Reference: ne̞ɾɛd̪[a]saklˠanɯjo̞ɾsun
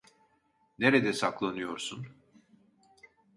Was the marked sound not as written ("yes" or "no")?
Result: yes